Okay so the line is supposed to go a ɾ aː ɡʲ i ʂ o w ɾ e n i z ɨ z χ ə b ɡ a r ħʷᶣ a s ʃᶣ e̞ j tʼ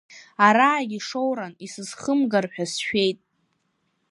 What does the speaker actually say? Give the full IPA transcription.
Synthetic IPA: a ɾ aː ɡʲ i ʂ o w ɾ a n i s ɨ z χ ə m ɡ a r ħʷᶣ a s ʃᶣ e̞ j tʼ